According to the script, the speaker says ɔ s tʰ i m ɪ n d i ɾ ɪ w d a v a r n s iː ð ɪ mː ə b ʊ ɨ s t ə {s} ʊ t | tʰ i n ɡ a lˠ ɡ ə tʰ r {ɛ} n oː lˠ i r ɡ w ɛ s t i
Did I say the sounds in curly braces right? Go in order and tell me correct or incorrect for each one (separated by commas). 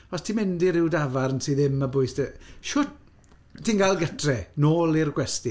incorrect, correct